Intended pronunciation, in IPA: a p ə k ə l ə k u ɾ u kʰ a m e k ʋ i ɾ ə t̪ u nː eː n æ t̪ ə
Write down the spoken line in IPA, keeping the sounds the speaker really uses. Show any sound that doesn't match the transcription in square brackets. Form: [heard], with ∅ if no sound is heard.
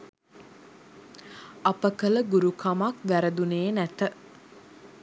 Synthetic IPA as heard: a p ə k ə l ə [ɡ] u ɾ u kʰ a m [a] k ʋ [æ] ɾ ə [d̪] u [n] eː n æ t̪ ə